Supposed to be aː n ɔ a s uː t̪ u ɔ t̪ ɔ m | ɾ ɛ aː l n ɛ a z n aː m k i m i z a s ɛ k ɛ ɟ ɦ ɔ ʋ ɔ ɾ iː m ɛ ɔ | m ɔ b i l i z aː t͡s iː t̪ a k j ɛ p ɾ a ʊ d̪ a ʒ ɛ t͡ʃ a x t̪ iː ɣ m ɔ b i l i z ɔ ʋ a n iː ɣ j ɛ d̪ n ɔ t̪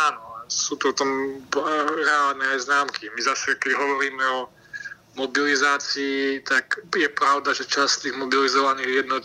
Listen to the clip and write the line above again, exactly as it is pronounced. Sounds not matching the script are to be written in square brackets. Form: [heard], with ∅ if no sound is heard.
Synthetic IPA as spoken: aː n ɔ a s uː t̪ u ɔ t̪ ɔ m | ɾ ɛ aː l n ɛ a z n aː m k i m i z a s ɛ k ɛ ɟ ɦ ɔ ʋ ɔ ɾ iː m ɛ ɔ | m ɔ b i l i z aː t͡s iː t̪ a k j ɛ p ɾ a ʊ d̪ a ʒ ɛ t͡ʃ a [s] t̪ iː ɣ m ɔ b i l i z ɔ ʋ a n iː ɣ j ɛ d̪ n ɔ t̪